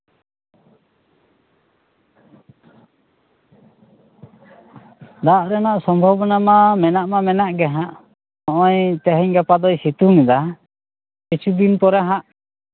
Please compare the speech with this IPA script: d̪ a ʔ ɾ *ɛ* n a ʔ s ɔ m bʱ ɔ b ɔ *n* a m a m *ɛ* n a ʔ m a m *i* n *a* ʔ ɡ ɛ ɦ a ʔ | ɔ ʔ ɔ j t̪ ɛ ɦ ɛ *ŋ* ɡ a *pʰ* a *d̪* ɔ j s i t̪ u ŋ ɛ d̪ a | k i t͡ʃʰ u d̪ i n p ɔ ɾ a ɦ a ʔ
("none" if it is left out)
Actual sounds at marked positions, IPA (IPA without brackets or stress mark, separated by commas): ɛ, n, ɛ, ɛ, a, ɲ, p, d̪